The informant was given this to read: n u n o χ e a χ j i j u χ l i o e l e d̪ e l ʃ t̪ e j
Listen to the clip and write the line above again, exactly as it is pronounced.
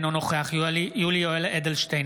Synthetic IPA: n o n o χ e a χ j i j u l i o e l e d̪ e l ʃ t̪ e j